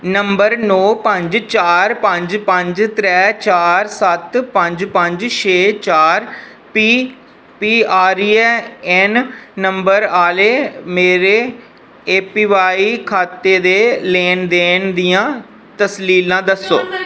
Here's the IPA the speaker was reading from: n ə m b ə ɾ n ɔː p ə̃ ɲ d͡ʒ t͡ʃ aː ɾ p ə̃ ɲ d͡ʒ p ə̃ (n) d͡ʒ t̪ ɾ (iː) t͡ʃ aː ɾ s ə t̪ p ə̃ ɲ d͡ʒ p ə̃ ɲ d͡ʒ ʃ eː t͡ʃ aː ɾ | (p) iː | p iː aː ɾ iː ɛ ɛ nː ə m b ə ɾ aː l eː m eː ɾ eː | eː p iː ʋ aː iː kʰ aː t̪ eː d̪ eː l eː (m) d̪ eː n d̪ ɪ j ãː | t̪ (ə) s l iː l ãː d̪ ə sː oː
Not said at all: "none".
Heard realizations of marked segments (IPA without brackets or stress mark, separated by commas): ɲ, ɛː, p, n, ə